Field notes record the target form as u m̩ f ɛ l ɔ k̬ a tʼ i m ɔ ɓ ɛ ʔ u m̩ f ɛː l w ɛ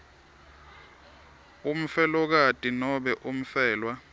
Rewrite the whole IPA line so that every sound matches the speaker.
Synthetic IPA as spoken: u m̩ f ɛ l ɔ k̬ a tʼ i n ɔ ɓ ɛ ʔ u m̩ f ɛː l w a